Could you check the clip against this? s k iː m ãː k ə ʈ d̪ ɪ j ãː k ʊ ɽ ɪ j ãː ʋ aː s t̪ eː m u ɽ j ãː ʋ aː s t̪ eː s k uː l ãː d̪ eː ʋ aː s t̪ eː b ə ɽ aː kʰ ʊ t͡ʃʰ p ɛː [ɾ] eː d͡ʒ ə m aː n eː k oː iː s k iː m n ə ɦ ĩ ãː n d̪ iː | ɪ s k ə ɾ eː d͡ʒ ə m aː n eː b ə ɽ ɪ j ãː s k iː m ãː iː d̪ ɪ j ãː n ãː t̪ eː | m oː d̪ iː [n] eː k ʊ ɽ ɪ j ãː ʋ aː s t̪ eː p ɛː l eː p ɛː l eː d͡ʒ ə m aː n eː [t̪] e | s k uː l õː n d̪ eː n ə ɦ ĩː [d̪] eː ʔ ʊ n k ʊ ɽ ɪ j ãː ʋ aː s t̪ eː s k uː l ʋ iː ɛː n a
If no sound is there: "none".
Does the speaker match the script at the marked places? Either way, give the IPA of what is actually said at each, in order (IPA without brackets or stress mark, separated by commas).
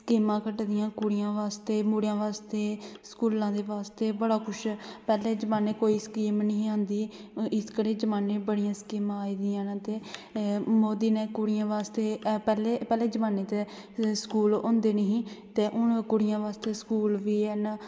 l, n, t̪, t̪